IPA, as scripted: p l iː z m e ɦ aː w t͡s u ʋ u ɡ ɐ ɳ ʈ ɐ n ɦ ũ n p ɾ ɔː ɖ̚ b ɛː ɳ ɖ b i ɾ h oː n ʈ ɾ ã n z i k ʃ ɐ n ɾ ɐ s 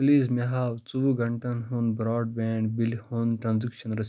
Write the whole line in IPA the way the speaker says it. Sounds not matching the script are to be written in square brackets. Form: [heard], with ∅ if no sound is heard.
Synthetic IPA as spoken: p l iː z m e ɦ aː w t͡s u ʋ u ɡ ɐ ɳ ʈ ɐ n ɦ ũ n [b] ɾ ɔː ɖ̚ b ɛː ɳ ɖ b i [l] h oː n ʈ ɾ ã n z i k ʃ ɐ n ɾ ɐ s